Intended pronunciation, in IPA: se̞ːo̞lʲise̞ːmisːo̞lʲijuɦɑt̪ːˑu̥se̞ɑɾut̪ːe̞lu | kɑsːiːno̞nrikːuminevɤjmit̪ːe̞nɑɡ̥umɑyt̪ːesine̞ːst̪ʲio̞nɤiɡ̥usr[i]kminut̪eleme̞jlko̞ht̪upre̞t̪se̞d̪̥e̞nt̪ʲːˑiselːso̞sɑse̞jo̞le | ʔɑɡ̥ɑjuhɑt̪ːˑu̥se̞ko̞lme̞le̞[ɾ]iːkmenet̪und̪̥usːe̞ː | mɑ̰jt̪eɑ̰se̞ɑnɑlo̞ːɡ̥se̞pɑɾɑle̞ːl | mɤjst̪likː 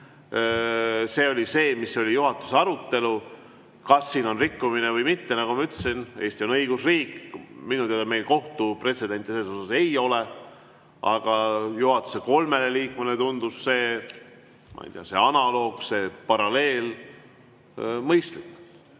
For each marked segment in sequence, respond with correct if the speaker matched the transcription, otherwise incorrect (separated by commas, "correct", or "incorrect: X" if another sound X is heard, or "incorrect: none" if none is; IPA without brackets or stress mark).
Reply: incorrect: iː, incorrect: l